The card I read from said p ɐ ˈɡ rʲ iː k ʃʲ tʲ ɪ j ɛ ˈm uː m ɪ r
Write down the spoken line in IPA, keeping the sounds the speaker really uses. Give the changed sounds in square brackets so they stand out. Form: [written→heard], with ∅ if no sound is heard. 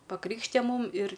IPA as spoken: p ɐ [ˈɡ→ˈk] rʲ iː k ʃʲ tʲ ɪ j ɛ ˈm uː m ɪ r